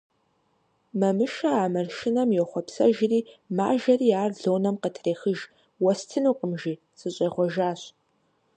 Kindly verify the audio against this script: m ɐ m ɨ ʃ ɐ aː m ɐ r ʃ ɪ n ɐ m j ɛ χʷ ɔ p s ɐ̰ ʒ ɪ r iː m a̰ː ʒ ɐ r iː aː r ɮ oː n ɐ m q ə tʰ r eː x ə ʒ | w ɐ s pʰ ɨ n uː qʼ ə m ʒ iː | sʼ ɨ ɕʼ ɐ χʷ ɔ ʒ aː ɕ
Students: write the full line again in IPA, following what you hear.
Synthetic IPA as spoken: m ɐ m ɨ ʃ ɐ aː m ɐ r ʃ ɪ n ɐ m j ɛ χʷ ɔ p s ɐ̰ ʒ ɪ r iː m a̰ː ʒ ɐ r iː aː r ɮ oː n ɐ m q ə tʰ r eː x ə ʒ | w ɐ s tʰ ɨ n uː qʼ ə m ʒ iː | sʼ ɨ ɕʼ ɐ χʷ ɔ ʒ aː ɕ